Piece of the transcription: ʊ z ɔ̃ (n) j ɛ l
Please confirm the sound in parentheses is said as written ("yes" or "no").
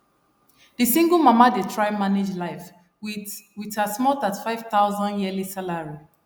yes